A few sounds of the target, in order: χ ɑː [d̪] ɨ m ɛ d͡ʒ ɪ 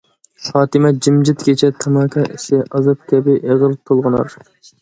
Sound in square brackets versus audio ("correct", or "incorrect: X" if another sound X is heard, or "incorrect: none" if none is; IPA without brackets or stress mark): incorrect: t̪